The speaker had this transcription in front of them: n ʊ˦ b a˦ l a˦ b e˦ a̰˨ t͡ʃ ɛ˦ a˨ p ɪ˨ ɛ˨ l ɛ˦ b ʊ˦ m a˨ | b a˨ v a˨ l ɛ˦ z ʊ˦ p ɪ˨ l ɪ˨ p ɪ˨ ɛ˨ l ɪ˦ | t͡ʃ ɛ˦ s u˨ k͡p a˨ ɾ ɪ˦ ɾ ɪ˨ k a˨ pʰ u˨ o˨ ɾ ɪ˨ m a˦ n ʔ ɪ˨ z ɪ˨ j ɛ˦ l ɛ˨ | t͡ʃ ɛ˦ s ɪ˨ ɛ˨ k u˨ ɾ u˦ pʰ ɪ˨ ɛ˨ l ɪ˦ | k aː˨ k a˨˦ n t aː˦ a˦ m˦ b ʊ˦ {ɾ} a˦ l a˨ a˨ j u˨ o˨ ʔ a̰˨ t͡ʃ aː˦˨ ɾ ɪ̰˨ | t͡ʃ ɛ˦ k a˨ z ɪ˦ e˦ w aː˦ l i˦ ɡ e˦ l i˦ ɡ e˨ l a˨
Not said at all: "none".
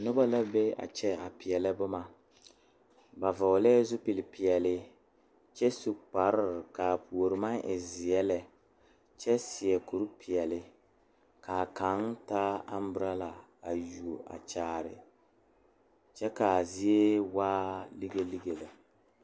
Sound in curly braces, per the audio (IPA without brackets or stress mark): ɾ